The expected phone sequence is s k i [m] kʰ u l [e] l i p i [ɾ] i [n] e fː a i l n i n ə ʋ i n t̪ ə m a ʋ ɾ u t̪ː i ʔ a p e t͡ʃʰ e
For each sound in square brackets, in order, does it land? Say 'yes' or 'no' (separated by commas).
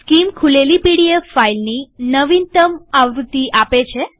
yes, yes, no, no